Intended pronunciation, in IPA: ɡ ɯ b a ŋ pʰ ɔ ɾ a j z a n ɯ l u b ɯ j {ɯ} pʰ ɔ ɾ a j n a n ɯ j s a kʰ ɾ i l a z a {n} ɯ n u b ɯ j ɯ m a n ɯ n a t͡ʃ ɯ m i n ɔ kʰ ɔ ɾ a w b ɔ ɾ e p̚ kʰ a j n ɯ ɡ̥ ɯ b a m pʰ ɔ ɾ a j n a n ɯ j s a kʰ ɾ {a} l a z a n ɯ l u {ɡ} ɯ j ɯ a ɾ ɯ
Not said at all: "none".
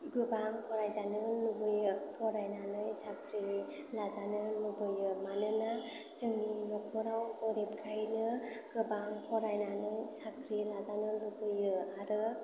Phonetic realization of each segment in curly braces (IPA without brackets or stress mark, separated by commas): ɯ, n, i, b